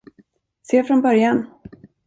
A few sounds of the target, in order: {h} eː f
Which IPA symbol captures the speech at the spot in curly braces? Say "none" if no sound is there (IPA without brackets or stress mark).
s